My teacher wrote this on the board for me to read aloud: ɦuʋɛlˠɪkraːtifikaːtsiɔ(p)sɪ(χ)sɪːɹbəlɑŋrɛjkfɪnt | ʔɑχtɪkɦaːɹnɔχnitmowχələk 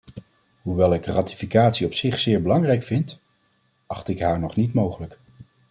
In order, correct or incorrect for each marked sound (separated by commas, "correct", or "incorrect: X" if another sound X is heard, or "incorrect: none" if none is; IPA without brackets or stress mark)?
correct, correct